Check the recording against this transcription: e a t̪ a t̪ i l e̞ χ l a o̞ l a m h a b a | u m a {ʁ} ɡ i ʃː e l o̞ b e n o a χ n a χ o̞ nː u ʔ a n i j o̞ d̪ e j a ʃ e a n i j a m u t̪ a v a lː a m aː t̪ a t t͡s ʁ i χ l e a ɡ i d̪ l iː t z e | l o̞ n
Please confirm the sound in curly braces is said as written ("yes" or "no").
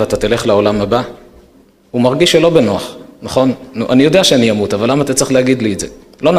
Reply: yes